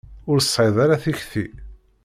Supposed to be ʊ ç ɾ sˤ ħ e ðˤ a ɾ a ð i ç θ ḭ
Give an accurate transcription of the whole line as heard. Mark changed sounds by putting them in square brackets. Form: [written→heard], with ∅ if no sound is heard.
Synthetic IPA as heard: ʊ [ç→∅] ɾ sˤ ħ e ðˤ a ɾ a [ð→θ] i ç θ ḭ